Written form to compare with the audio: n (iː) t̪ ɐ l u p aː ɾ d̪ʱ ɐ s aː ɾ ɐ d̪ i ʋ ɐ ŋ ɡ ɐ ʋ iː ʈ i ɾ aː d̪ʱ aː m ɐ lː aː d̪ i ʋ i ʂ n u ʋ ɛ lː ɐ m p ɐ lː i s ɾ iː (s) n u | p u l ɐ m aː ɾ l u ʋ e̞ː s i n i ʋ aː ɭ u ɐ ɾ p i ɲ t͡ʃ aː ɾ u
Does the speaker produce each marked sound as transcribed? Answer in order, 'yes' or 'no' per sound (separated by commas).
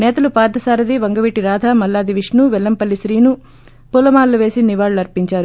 no, no